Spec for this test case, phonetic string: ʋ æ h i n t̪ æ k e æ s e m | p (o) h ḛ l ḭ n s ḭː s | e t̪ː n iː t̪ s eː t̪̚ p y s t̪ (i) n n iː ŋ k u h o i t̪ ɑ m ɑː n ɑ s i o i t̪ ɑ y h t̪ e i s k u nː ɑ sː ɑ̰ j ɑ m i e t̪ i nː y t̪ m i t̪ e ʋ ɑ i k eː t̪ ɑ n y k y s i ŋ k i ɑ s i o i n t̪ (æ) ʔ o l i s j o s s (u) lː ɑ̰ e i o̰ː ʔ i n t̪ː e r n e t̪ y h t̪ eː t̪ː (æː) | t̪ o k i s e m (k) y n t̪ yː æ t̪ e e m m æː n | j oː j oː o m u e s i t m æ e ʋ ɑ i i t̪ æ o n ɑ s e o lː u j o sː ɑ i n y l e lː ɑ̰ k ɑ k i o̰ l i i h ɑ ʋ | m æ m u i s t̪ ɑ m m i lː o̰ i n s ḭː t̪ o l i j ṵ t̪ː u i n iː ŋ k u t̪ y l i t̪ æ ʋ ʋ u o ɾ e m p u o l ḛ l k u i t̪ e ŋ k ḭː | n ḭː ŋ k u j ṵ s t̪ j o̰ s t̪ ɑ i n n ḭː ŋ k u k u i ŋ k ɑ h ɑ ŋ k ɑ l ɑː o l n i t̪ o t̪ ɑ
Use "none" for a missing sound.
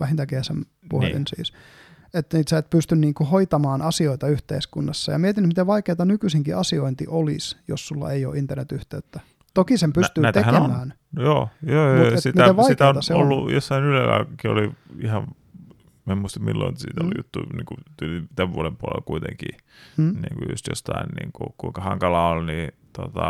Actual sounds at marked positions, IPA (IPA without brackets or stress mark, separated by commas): u, y, i, u, æ, p